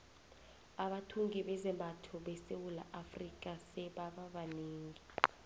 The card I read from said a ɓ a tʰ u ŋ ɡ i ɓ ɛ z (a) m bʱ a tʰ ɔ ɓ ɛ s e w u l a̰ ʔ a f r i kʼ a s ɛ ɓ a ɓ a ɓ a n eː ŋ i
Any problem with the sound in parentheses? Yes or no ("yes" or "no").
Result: yes